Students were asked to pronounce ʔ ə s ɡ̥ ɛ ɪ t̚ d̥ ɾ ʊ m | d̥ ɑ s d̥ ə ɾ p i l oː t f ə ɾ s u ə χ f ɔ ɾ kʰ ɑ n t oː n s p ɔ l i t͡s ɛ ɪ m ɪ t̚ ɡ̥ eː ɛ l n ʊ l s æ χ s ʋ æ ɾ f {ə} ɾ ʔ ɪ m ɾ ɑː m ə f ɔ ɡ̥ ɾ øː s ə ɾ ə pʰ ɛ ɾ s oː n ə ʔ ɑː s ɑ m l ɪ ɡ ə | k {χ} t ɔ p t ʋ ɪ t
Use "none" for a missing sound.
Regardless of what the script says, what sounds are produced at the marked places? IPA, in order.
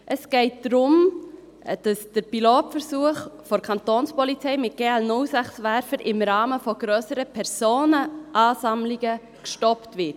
ə, ʃ

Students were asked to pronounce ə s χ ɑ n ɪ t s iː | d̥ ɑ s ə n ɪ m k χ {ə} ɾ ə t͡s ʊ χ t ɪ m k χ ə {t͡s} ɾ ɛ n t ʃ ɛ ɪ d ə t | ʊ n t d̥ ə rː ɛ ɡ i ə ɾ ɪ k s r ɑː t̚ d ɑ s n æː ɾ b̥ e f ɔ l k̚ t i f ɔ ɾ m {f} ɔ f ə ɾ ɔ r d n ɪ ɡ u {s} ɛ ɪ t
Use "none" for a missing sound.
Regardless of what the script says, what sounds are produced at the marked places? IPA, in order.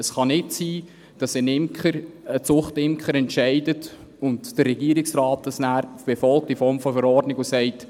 ə, none, f, s

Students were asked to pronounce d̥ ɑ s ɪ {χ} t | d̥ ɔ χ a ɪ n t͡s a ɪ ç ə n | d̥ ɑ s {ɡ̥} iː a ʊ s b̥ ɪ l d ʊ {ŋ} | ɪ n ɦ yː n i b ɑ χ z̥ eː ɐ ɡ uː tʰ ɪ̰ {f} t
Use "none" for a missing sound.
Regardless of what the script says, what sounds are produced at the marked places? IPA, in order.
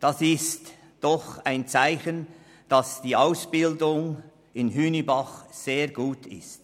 s, d̥, ŋ, s

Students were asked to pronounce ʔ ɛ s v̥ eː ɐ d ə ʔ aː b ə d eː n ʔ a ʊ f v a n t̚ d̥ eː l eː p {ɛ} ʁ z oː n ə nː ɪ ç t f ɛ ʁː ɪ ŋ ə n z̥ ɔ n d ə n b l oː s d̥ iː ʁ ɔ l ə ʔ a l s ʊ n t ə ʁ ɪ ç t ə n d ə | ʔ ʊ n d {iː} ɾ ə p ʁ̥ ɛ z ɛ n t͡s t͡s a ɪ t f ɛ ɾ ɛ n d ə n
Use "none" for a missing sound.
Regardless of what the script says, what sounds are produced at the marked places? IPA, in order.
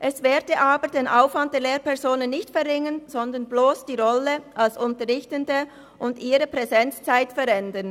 ɛ, iː

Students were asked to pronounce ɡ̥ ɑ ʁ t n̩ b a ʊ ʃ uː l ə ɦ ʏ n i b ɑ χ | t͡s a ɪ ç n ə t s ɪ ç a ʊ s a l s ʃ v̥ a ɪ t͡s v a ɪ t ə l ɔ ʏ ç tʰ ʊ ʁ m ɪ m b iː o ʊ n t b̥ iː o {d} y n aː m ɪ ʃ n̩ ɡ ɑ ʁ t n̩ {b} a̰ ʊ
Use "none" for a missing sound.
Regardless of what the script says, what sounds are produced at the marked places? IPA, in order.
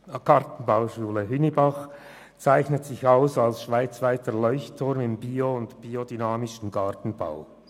d, b

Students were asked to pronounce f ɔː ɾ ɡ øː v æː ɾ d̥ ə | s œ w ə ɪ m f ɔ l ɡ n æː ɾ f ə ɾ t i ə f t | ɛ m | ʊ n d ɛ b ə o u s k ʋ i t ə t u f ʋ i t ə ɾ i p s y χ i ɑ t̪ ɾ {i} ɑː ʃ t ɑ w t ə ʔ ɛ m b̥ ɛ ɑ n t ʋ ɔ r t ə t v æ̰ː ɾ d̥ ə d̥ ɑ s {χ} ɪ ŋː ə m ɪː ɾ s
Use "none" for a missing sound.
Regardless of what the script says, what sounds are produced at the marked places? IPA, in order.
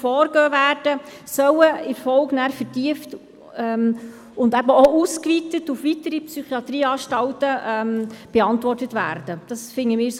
iː, f

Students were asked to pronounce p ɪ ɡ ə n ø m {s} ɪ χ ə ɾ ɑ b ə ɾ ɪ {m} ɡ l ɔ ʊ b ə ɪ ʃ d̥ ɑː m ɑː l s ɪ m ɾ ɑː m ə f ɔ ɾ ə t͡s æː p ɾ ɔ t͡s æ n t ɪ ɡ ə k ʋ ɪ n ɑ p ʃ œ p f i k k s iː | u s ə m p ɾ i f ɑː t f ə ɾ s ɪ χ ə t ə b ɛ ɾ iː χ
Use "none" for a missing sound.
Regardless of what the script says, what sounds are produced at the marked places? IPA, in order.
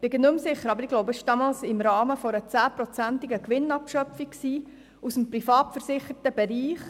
s, none

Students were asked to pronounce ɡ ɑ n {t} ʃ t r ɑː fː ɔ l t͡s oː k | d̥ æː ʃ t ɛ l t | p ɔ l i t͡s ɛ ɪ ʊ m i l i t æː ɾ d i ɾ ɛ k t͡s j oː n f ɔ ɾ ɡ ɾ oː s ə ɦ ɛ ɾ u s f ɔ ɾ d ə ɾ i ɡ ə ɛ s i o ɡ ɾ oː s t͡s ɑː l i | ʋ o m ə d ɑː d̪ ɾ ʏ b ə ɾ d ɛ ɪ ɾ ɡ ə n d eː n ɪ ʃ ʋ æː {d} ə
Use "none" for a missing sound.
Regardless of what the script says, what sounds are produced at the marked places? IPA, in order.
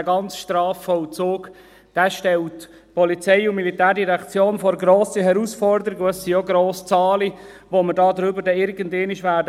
t͡s, d

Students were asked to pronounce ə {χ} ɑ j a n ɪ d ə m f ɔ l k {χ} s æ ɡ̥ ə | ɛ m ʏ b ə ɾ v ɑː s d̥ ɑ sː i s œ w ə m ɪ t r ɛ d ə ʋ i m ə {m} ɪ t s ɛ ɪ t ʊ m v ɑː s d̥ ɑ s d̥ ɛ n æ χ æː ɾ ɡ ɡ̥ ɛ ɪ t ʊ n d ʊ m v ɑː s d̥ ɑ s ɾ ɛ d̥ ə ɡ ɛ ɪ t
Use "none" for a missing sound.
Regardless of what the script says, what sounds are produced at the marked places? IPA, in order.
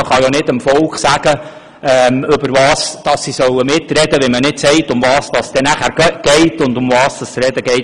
χ, χ, n

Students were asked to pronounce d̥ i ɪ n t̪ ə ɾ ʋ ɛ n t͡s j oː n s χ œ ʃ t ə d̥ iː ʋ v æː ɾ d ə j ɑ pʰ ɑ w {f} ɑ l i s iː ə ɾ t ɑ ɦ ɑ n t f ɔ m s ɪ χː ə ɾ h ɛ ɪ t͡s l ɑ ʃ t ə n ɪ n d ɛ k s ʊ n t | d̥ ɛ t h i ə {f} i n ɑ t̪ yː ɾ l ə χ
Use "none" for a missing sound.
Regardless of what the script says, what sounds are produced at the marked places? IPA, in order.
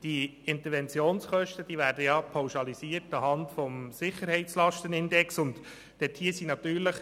ʃ, s

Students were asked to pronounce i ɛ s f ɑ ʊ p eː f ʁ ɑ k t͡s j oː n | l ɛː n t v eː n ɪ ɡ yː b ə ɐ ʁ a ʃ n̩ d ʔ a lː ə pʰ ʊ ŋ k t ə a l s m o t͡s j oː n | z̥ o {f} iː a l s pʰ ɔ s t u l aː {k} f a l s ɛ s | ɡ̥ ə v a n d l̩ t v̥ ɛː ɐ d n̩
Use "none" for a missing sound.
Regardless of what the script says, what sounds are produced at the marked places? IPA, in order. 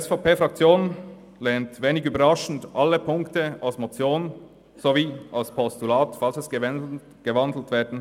v, t

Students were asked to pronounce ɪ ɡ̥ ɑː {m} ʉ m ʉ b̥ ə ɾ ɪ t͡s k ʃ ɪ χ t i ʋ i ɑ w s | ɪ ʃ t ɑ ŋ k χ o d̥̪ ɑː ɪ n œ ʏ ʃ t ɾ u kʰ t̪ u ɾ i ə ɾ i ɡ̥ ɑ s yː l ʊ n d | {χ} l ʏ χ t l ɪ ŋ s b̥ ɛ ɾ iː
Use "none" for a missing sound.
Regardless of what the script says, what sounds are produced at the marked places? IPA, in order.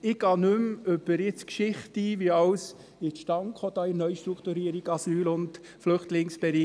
n, f

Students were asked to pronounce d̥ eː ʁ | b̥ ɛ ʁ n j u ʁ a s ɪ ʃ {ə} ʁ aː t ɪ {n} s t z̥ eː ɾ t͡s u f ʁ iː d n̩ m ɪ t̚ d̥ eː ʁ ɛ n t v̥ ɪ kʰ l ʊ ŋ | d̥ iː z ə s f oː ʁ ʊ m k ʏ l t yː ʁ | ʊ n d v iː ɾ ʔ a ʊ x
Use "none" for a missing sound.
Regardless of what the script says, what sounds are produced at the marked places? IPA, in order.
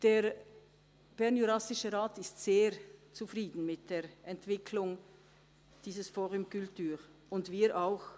ə, none

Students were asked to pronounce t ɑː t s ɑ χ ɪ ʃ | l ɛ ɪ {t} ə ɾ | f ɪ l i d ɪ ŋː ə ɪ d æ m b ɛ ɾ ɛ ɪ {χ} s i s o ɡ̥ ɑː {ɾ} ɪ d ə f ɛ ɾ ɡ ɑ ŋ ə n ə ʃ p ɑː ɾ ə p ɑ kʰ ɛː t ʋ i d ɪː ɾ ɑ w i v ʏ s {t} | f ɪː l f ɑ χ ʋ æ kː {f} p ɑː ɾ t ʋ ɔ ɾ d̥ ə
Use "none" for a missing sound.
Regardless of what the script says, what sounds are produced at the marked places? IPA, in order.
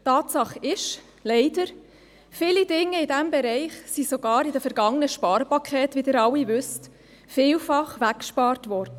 d, χ, ɾ, t, ʃ

